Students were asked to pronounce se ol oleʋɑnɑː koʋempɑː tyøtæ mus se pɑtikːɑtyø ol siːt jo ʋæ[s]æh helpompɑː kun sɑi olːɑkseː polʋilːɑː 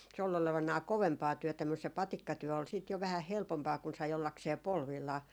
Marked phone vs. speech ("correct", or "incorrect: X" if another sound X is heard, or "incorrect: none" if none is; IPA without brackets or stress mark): incorrect: h